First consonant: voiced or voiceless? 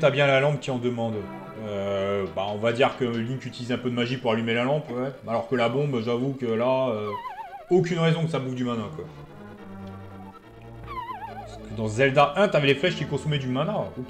voiceless